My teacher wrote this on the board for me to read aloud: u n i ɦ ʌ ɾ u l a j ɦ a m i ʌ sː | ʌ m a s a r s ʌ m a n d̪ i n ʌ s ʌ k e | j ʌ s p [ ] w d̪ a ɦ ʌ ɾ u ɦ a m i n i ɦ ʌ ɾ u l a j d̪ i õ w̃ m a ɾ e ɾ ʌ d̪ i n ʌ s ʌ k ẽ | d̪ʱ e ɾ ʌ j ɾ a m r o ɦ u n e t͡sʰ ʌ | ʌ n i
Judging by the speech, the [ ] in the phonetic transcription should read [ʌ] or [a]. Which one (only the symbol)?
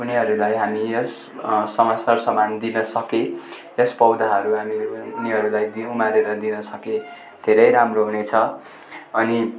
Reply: ʌ